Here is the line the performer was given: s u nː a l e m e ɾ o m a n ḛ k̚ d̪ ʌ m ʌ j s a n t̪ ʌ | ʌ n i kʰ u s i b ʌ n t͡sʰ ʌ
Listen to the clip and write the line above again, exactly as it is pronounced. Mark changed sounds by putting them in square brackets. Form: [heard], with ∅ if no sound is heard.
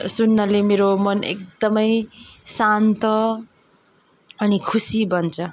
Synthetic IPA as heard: s u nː [ʌ] l e m e ɾ o m [ʌ] n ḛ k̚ d̪ ʌ m ʌ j s a n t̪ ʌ | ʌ n i kʰ u s i b ʌ n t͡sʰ ʌ